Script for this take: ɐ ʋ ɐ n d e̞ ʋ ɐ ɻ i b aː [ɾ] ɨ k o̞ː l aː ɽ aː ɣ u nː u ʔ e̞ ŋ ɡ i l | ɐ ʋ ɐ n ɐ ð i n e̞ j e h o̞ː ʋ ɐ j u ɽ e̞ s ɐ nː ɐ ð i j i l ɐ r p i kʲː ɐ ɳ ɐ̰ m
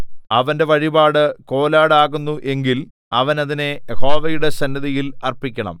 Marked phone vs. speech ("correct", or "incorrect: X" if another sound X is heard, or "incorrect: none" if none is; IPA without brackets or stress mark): incorrect: ɽ